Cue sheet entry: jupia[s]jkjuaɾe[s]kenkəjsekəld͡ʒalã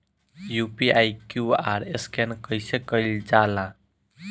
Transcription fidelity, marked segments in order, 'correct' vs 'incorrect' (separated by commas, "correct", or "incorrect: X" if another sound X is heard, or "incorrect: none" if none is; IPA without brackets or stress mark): incorrect: none, correct